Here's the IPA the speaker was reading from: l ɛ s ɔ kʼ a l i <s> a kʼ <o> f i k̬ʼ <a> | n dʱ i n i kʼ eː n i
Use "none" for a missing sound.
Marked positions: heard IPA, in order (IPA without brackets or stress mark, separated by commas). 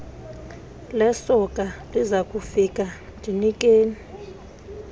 z, u, a